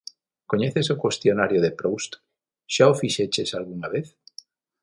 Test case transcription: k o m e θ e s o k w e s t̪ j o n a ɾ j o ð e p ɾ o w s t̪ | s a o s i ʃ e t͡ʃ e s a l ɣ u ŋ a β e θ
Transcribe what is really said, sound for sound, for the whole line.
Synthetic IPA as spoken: k o ɲ e θ e s o k w e s t̪ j o n a ɾ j o ð e p ɾ o w s t̪ | ʃ a o f i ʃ e t͡ʃ e s a l ɣ u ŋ a β e θ

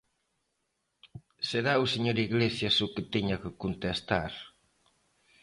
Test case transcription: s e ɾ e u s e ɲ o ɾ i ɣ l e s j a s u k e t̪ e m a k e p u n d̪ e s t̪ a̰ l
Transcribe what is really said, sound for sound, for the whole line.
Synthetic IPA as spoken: s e ɾ a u s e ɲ o ɾ i ɣ l e s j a s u k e t̪ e ɲ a k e k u n t̪ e s t̪ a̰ ɾ

